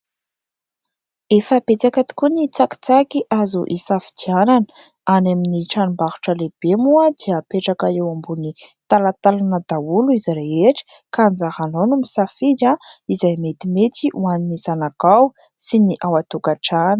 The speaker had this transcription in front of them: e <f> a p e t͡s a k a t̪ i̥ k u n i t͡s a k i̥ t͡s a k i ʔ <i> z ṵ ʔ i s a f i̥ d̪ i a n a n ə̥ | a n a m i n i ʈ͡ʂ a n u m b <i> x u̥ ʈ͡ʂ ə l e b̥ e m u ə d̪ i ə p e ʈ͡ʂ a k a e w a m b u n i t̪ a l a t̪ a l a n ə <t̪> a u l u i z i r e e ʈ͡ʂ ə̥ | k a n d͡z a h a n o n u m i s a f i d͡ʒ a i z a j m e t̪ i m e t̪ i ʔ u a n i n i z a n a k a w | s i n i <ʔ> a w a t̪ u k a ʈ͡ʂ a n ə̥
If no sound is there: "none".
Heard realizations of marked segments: f, a, a, d̪, ʔ

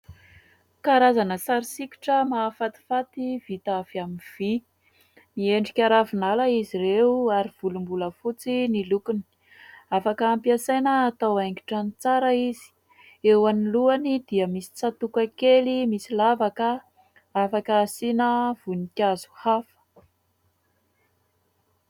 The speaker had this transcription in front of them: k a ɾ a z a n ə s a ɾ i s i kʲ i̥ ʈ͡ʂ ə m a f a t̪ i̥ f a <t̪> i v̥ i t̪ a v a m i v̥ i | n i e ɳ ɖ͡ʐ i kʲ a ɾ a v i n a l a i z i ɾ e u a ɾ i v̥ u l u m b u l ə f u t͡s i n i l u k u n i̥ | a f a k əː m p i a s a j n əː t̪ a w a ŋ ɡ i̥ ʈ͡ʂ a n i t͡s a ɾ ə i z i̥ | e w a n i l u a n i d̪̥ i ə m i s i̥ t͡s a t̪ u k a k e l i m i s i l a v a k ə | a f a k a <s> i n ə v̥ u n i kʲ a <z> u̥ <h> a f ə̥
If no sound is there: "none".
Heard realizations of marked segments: t̪, s, z, h

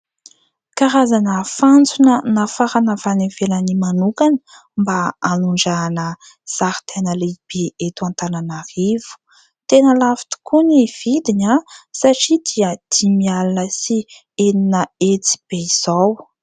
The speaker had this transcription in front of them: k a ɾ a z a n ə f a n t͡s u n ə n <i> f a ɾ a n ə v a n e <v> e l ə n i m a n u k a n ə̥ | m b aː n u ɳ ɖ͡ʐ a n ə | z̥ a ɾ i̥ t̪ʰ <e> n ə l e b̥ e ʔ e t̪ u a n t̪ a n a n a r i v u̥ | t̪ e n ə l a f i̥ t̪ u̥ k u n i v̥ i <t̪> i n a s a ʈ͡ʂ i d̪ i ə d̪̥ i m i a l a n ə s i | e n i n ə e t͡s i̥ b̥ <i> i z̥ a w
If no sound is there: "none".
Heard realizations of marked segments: a, v, e, d̪, e

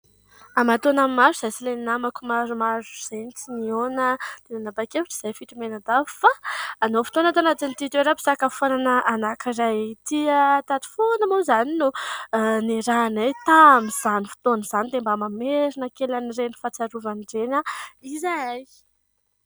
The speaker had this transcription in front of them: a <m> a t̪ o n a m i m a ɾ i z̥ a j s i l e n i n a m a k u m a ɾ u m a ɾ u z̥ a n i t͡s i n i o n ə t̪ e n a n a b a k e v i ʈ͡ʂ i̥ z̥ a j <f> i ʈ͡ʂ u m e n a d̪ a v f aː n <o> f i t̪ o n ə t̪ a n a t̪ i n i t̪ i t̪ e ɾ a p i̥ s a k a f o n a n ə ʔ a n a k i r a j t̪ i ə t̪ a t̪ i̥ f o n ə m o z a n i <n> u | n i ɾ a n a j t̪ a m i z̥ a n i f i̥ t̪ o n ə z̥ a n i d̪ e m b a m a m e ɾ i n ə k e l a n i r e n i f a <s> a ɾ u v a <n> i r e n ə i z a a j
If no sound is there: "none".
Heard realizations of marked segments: m, f, o, n, t͡s, n

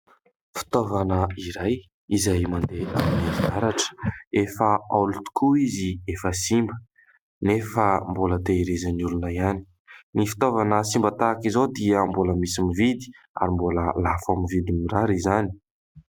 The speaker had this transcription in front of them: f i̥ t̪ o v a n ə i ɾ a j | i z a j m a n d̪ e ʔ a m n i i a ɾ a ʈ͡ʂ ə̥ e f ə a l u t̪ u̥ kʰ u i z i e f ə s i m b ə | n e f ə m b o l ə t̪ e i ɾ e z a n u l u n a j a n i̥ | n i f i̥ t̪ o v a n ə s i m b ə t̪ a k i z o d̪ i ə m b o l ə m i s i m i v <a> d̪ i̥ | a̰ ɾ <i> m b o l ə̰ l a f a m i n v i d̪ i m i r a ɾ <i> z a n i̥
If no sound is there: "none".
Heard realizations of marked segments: i, i, i

